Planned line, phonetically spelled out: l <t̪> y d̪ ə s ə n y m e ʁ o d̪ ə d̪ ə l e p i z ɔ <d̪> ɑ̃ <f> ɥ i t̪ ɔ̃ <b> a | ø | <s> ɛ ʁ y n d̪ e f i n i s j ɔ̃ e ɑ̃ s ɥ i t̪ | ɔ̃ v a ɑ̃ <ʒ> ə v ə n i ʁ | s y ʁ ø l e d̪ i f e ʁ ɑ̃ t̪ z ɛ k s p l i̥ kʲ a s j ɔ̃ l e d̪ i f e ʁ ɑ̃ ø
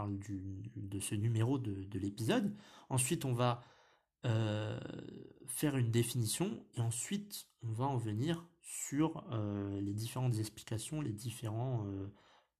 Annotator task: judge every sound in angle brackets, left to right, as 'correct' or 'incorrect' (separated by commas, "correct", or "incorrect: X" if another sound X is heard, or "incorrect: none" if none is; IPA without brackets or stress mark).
incorrect: d̪, correct, incorrect: s, incorrect: v, incorrect: f, incorrect: ʁ